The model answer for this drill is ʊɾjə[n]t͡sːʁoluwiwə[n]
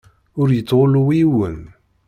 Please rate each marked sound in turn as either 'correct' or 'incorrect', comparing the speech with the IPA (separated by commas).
incorrect, correct